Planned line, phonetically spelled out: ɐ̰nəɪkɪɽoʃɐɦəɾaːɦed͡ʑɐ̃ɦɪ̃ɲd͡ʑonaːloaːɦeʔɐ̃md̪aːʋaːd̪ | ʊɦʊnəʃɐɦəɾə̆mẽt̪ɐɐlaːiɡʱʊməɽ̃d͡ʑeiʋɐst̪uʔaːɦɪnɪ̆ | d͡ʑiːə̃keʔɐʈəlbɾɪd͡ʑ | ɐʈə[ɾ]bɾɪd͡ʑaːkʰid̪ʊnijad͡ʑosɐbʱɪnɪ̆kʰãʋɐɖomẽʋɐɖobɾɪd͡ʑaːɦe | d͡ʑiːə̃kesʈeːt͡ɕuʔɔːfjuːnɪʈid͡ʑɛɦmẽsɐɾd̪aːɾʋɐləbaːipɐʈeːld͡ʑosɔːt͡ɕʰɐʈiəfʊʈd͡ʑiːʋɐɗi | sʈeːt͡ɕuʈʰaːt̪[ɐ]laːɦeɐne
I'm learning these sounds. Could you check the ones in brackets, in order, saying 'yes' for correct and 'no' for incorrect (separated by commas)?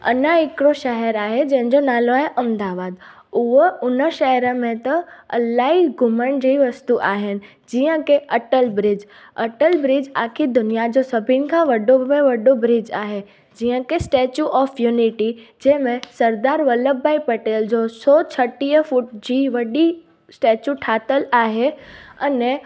no, no